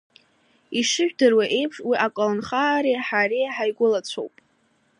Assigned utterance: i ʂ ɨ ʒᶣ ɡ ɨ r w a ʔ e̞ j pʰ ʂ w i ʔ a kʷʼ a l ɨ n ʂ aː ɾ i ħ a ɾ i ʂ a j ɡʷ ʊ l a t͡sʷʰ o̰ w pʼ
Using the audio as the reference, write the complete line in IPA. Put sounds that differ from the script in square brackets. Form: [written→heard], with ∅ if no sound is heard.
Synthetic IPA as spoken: i ʂ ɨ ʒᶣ [ɡ→d] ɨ r w a ʔ e̞ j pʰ ʂ w i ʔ a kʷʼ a l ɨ n [ʂ→χ] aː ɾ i ħ a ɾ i [ʂ→ħ] a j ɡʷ ʊ l a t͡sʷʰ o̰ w pʼ